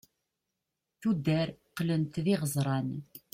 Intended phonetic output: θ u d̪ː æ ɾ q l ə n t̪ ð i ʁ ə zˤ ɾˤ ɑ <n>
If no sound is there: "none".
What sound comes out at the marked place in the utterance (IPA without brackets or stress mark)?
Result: n